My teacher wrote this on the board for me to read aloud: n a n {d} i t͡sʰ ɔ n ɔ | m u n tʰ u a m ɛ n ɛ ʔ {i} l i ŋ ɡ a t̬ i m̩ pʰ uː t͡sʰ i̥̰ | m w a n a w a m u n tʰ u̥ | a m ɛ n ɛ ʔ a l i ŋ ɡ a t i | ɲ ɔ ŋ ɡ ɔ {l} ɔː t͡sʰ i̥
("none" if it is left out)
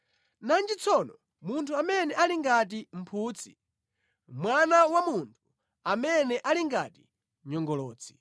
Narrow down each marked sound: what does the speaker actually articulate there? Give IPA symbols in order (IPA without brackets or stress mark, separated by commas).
d͡ʒ, a, l